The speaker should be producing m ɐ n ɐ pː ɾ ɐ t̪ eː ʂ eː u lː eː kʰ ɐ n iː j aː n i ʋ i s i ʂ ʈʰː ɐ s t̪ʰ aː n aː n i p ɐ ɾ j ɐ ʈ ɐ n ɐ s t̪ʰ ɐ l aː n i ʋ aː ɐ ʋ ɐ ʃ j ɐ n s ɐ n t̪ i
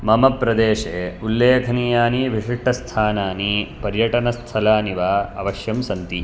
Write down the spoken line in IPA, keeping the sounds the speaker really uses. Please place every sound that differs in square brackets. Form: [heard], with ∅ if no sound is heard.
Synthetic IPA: m ɐ [m] ɐ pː ɾ ɐ [d̪] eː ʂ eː u lː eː kʰ ɐ n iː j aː n i ʋ i [ʂ] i ʂ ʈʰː ɐ s t̪ʰ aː n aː n i p ɐ ɾ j ɐ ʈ ɐ n ɐ s t̪ʰ ɐ l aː n i ʋ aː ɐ ʋ ɐ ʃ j ɐ [m] s ɐ n t̪ i

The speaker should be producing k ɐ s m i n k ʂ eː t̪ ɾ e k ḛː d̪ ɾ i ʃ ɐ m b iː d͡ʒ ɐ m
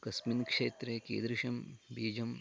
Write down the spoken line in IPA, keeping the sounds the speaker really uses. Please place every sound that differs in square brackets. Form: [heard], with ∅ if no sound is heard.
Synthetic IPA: k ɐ s m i n k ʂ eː t̪ ɾ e k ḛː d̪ ɾ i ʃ ɐ m b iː d͡ʒ ɐ m

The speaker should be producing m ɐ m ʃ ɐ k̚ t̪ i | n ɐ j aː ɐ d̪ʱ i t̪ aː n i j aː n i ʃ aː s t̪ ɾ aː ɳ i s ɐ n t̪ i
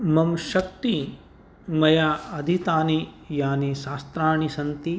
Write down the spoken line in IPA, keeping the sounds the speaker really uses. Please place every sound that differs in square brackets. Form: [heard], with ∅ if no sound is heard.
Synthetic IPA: m ɐ m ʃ ɐ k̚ t̪ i | [m] ɐ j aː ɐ d̪ʱ i t̪ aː n i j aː n i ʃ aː s t̪ ɾ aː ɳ i s ɐ n t̪ i

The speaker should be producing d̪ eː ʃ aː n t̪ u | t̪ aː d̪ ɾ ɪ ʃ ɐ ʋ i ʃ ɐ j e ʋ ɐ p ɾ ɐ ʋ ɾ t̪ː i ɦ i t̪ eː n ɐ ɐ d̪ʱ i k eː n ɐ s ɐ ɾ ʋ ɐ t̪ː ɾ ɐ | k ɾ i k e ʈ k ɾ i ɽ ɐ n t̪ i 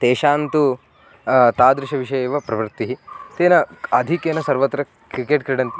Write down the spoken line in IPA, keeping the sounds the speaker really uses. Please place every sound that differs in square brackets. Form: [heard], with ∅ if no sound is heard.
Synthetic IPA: [t̪] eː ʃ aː n t̪ u | t̪ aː d̪ ɾ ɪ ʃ ɐ ʋ i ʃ ɐ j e ʋ ɐ p ɾ ɐ ʋ ɾ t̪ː i ɦ i t̪ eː n ɐ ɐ d̪ʱ i k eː n ɐ s ɐ ɾ ʋ ɐ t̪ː ɾ ɐ | k ɾ i k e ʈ k ɾ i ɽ ɐ n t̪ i

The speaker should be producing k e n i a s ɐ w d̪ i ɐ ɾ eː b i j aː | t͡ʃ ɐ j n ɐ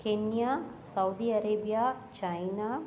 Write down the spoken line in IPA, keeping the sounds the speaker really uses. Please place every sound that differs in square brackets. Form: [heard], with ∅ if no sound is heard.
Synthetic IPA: k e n [j] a s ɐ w d̪ i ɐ ɾ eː b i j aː | t͡ʃ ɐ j n [a]

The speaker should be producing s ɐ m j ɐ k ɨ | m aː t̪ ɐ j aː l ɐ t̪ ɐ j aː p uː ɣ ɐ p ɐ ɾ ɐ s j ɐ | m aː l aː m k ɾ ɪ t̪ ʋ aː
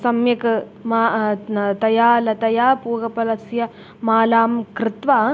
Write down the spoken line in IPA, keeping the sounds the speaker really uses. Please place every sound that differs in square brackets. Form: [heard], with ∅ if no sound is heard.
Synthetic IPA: s ɐ m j ɐ k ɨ | m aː t̪ ɐ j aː l ɐ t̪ ɐ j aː p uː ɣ ɐ p ɐ [l] ɐ s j ɐ | m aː l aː m k ɾ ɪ t̪ ʋ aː

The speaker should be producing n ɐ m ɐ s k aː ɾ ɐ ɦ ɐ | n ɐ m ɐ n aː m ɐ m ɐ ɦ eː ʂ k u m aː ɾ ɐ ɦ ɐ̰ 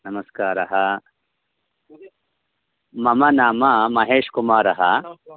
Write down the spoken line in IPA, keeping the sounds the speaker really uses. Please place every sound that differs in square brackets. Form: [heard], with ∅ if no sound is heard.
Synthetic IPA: n ɐ m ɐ s k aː ɾ ɐ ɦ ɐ | [m] ɐ m ɐ n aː m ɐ m ɐ ɦ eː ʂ k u m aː ɾ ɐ ɦ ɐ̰

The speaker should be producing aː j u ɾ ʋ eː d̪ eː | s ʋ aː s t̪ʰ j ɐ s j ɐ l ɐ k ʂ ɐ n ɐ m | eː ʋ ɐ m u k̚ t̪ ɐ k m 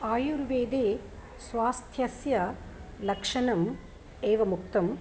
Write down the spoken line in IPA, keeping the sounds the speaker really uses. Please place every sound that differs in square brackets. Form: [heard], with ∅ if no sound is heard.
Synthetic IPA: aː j u ɾ ʋ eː d̪ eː | s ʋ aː s t̪ʰ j ɐ s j ɐ l ɐ k ʂ ɐ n ɐ m | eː ʋ ɐ m u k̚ t̪ ɐ [∅] m

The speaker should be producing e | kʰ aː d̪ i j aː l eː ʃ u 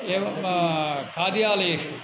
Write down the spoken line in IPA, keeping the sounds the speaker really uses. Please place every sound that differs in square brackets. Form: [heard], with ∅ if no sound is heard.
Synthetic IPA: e | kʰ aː d̪ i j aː l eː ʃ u

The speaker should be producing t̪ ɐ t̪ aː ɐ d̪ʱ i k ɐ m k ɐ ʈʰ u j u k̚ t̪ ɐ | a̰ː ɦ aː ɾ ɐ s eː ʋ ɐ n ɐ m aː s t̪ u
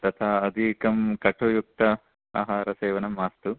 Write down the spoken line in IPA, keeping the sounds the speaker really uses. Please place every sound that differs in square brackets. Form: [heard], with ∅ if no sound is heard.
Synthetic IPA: t̪ ɐ [t̪ʰ] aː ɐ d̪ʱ i k ɐ m k ɐ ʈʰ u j u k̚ t̪ ɐ | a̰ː ɦ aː ɾ ɐ s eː ʋ ɐ n ɐ m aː s t̪ u

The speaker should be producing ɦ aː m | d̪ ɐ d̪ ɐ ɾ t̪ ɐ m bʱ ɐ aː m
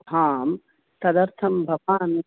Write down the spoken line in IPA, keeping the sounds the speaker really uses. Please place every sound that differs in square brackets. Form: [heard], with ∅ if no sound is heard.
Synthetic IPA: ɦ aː m | [t̪] ɐ d̪ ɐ ɾ [t̪ʰ] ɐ m bʱ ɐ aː [n]

